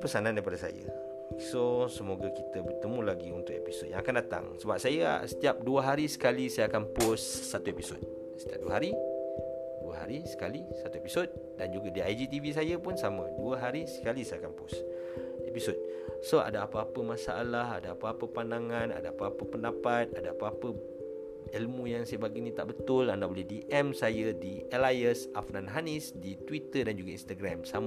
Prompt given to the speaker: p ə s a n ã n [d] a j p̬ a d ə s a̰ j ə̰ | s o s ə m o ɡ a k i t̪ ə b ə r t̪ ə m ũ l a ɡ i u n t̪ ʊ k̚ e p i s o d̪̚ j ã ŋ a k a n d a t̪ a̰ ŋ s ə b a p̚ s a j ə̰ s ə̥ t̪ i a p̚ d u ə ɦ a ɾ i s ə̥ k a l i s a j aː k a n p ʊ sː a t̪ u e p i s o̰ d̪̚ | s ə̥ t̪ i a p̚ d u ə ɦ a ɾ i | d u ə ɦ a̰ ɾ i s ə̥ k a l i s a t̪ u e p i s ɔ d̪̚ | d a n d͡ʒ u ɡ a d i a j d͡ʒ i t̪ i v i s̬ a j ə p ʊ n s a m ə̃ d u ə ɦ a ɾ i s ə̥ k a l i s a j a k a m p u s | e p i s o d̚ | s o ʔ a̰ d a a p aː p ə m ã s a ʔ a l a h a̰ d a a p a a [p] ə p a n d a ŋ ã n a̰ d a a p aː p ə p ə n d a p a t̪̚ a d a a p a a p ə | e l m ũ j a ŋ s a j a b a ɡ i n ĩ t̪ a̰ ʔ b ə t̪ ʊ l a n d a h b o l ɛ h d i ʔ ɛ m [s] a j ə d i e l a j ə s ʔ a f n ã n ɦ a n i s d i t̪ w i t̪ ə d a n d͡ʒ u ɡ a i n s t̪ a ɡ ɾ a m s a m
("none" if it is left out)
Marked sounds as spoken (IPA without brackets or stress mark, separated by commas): d, p, s